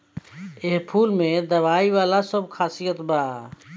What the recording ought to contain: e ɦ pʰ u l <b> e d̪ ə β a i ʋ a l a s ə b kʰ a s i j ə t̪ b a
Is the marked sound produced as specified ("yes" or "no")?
no